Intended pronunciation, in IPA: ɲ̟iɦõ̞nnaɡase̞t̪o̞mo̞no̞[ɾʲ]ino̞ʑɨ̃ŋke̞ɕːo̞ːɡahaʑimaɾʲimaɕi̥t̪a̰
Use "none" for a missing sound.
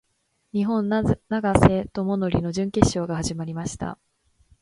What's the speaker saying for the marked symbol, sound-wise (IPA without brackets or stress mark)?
ɾʲ